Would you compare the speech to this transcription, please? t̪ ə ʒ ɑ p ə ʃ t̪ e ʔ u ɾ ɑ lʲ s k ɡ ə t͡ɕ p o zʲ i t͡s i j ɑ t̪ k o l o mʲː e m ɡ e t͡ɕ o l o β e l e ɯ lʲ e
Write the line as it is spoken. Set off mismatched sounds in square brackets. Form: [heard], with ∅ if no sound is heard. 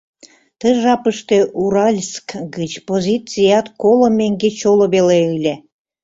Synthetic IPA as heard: t̪ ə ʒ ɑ p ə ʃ t̪ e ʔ u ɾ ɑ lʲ s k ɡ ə t͡ɕ p o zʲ i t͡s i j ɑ t̪ k o l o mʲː e [ŋ] ɡ e t͡ɕ o l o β e l e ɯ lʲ e